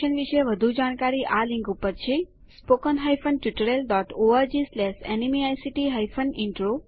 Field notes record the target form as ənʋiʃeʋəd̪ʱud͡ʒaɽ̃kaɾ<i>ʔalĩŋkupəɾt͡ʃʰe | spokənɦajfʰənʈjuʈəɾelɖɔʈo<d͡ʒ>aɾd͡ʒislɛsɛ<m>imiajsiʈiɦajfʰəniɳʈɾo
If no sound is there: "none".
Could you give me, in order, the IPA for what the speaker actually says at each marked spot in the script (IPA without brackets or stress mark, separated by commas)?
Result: i, none, n